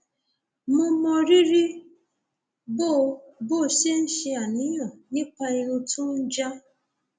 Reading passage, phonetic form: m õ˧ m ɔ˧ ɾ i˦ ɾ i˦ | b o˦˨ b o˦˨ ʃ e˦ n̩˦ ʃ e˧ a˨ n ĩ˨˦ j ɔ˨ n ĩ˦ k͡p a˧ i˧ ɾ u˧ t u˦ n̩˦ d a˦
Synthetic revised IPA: m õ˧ m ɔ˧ ɾ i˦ ɾ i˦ | b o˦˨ b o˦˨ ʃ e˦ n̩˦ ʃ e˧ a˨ n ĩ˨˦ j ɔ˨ n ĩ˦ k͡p a˧ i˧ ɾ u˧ t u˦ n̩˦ d͡ʒ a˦